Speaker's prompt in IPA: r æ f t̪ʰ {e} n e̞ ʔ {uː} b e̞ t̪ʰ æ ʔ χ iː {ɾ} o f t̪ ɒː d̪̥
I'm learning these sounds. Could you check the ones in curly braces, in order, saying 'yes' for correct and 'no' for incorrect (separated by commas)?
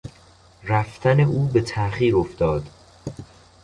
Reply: no, yes, yes